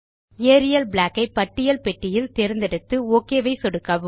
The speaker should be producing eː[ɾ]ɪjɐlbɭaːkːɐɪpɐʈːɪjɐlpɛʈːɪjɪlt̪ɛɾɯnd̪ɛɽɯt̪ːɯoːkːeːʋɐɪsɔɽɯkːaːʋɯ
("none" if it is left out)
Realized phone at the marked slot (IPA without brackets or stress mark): ɾ